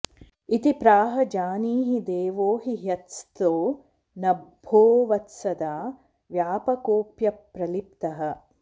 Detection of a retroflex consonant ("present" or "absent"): absent